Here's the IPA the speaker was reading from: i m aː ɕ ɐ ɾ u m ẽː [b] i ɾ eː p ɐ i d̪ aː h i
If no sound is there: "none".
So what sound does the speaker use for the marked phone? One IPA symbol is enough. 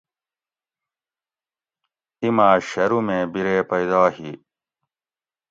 b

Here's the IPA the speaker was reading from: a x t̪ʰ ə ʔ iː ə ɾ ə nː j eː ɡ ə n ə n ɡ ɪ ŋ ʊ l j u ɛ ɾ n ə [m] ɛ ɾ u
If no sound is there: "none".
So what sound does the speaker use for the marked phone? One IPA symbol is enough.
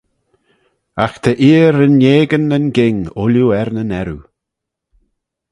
n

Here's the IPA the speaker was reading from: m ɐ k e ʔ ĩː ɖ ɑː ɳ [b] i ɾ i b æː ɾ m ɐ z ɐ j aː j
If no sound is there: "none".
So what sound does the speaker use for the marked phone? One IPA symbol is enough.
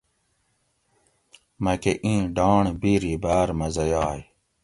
b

